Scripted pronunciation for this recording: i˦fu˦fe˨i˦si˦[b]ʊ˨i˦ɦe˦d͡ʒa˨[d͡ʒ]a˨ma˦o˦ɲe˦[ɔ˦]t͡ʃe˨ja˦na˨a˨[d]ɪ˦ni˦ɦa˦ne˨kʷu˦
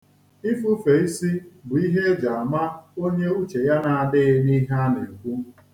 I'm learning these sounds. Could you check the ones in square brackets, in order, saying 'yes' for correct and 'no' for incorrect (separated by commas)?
yes, no, no, yes